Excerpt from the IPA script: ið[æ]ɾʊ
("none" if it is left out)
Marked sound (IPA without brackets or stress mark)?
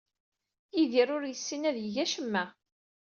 i